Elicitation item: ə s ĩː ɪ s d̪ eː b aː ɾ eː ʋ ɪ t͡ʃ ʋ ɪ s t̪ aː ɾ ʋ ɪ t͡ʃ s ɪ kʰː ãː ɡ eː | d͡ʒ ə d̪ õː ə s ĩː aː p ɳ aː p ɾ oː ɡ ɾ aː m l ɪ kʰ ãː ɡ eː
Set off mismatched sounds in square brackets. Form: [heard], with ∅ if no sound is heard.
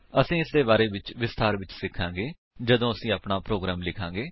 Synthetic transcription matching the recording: ə s ĩː ɪ s d̪ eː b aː ɾ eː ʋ ɪ t͡ʃ ʋ ɪ s t̪ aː ɾ ʋ ɪ t͡ʃ s ɪ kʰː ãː ɡ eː | d͡ʒ ə d̪ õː ə s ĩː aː p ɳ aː p ɾ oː ɡ ɾ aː m l ɪ kʰ ãː ɡ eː